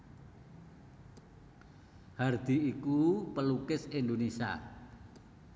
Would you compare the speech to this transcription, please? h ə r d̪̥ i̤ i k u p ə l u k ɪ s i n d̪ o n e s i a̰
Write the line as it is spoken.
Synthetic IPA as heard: h a r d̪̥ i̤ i k u p ə l u k ɪ s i n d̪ o n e s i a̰